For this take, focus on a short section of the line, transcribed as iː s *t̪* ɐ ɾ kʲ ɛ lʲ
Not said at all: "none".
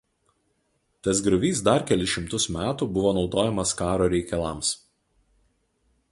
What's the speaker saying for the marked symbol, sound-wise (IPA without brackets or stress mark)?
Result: d̪